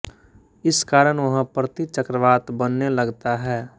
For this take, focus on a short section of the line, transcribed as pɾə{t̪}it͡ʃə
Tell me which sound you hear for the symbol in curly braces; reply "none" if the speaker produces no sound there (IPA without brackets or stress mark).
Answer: t̪